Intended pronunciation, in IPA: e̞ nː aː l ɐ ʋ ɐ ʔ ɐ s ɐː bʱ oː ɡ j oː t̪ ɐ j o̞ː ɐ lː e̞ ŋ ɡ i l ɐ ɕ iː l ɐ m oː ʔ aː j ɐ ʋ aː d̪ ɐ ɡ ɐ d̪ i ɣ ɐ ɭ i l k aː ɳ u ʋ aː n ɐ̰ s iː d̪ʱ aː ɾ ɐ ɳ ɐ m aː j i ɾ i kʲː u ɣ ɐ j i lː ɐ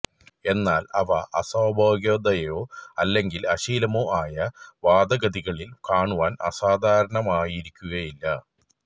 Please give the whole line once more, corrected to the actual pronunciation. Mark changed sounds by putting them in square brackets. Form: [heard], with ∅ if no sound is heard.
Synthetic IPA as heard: e̞ nː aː l ɐ ʋ ɐ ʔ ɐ s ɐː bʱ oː ɡ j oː [d̪] ɐ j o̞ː ɐ lː e̞ ŋ ɡ i l ɐ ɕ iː l ɐ m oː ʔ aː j ɐ ʋ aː d̪ ɐ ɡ ɐ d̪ i ɣ ɐ ɭ i l k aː ɳ u ʋ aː n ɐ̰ s [aː] d̪ʱ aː ɾ ɐ ɳ ɐ m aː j i ɾ i kʲː u ɣ ɐ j i lː ɐ

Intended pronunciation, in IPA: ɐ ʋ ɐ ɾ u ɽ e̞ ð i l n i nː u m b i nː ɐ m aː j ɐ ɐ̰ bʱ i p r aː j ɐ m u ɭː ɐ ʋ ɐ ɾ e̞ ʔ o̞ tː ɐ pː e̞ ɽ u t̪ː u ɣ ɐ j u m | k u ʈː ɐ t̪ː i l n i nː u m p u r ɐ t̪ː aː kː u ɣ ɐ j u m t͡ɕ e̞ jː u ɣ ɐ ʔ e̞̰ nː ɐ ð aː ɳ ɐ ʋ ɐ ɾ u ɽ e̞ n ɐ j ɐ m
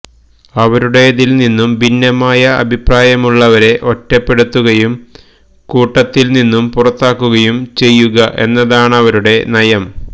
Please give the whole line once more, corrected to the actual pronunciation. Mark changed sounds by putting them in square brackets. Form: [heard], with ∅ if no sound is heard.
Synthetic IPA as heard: ɐ ʋ ɐ ɾ u ɽ e̞ ð i l n i nː u m b i nː ɐ m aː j ɐ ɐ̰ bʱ i p r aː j ɐ m u ɭː ɐ ʋ ɐ ɾ e̞ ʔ o̞ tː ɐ pː e̞ ɽ u t̪ː u ɣ ɐ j u m | k [uː] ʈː ɐ t̪ː i l n i nː u m p u r ɐ t̪ː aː kː u ɣ ɐ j u m t͡ɕ e̞ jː u ɣ ɐ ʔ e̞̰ nː ɐ ð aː ɳ ɐ ʋ ɐ ɾ u ɽ e̞ n ɐ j ɐ m

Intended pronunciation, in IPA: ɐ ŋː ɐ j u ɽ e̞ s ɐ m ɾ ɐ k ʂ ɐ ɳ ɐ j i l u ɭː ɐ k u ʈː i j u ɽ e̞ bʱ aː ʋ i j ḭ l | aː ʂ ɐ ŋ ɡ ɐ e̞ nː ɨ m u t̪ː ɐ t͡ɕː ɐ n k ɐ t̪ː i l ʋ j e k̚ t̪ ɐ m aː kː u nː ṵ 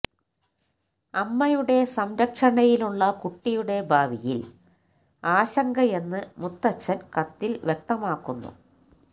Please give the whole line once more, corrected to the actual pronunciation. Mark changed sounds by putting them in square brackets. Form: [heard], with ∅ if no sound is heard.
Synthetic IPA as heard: ɐ [mː] ɐ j u ɽ e̞ s ɐ m ɾ ɐ k ʂ ɐ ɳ ɐ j i l u ɭː ɐ k u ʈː i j u ɽ e̞ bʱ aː ʋ i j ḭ l | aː [ɕ] ɐ ŋ ɡ ɐ e̞ nː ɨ m u t̪ː ɐ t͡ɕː ɐ n k ɐ t̪ː i l ʋ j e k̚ t̪ ɐ m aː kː u nː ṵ

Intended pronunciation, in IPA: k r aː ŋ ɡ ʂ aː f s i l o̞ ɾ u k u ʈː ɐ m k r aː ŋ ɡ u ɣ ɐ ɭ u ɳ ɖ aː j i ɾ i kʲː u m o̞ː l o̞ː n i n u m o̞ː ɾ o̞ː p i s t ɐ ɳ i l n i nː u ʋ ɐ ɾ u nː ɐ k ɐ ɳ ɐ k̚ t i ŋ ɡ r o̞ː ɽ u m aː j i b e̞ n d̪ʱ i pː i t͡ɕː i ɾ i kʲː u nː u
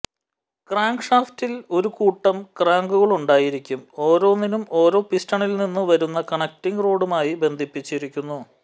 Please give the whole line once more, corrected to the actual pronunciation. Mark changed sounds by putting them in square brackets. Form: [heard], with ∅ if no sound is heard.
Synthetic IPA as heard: k r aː ŋ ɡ ʂ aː f [t] i l o̞ ɾ u k [uː] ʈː ɐ m k r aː ŋ ɡ u ɣ ɐ ɭ u ɳ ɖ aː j i ɾ i kʲː u m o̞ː [ɾ] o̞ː n i n u m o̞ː ɾ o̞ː p i s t ɐ ɳ i l n i nː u ʋ ɐ ɾ u nː ɐ k ɐ ɳ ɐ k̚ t i ŋ ɡ r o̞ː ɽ u m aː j i b e̞ n d̪ʱ i pː i t͡ɕː i ɾ i kʲː u nː u

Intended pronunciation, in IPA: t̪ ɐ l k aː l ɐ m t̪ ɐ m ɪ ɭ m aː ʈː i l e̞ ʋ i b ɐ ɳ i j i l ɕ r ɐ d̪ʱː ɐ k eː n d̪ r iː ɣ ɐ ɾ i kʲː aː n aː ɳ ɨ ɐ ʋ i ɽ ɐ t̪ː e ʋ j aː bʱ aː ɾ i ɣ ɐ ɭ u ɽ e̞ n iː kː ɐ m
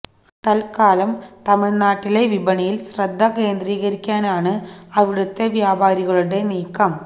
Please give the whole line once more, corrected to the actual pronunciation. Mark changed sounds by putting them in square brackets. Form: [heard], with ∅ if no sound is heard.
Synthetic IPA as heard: t̪ ɐ l k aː l ɐ m t̪ ɐ m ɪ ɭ [n] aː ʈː i l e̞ ʋ i b ɐ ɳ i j i l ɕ r ɐ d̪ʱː ɐ k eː n d̪ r iː ɣ ɐ ɾ i kʲː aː n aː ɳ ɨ ɐ ʋ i ɽ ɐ t̪ː e ʋ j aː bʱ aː ɾ i ɣ ɐ ɭ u ɽ e̞ n iː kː ɐ m

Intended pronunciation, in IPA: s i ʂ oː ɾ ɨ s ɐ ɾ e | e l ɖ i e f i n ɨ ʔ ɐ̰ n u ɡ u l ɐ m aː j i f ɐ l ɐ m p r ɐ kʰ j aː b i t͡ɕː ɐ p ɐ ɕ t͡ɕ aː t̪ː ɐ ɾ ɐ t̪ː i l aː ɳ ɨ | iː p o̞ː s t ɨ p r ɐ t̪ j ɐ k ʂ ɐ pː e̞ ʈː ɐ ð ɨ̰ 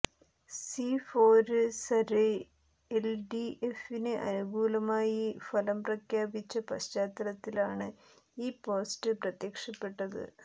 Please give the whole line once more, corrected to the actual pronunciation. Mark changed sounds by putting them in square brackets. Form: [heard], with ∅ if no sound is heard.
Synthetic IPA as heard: s i [f] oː ɾ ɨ s ɐ ɾ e | e l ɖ i e f i n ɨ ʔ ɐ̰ n u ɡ [uː] l ɐ m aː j i f ɐ l ɐ m p r ɐ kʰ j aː b i t͡ɕː ɐ p ɐ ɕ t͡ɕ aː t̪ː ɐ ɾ ɐ t̪ː i l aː ɳ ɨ | iː p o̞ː s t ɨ p r ɐ t̪ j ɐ k ʂ ɐ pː e̞ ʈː ɐ ð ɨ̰

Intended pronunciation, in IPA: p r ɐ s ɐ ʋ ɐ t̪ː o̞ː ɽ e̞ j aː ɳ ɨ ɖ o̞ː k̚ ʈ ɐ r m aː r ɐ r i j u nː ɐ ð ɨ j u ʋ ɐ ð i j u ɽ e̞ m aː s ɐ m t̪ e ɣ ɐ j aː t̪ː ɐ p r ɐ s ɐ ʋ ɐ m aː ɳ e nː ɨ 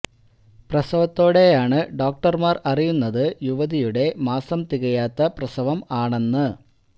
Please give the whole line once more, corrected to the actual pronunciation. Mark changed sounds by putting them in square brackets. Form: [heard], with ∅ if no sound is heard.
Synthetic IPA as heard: p r ɐ s ɐ ʋ ɐ t̪ː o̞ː ɽ e̞ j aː ɳ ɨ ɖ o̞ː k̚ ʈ ɐ r m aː r ɐ r i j u nː ɐ ð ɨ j u ʋ ɐ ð i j u ɽ e̞ m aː s ɐ m t̪ [i] ɣ ɐ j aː t̪ː ɐ p r ɐ s ɐ ʋ ɐ m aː ɳ e nː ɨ

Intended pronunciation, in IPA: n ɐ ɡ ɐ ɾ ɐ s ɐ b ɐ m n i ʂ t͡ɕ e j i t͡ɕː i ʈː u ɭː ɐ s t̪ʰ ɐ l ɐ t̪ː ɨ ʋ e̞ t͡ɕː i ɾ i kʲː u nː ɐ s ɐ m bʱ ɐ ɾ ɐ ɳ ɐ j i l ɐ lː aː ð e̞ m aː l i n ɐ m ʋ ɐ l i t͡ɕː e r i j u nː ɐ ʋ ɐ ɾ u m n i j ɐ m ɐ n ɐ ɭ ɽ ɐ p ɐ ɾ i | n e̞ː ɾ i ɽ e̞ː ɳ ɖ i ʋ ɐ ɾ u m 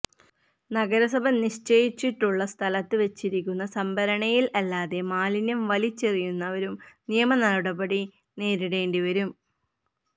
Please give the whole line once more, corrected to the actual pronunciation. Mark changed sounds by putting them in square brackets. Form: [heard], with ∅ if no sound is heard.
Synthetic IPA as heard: n ɐ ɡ ɐ ɾ ɐ s ɐ b ɐ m n i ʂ t͡ɕ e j i t͡ɕː i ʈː u ɭː ɐ s t̪ʰ ɐ l ɐ t̪ː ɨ ʋ e̞ t͡ɕː i ɾ i kʲː u nː ɐ s ɐ m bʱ ɐ ɾ ɐ ɳ ɐ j i l ɐ lː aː ð e̞ m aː l i n ɐ m ʋ ɐ l i t͡ɕː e r i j u nː ɐ ʋ ɐ ɾ u m n i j ɐ m ɐ n ɐ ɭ ɽ ɐ [b] ɐ [ɽ] i | n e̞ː ɾ i ɽ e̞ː ɳ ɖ i ʋ ɐ ɾ u m

